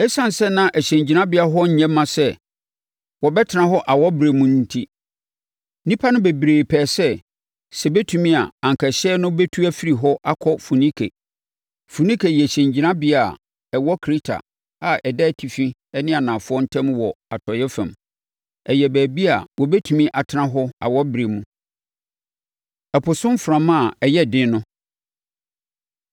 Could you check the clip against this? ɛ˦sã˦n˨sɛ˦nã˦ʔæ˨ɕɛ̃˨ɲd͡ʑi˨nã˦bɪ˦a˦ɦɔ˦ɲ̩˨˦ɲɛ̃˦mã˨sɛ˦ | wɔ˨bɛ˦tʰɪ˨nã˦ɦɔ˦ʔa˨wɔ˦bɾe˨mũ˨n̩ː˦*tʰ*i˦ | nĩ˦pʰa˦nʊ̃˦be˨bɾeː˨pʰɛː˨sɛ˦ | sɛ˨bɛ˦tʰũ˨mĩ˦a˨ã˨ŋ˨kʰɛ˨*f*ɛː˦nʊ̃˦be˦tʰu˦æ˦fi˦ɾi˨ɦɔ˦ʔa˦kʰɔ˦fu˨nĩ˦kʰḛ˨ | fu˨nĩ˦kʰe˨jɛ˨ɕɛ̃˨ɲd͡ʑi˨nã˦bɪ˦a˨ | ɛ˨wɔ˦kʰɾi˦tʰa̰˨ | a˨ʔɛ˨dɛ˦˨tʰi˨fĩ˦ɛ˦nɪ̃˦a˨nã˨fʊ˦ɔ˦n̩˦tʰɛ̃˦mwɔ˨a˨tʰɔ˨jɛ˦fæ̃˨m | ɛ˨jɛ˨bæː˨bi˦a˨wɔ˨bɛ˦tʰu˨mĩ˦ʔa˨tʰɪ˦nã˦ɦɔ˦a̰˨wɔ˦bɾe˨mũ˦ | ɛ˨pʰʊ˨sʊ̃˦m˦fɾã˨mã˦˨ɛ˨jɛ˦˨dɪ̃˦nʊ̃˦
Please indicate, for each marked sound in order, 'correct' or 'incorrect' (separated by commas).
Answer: correct, incorrect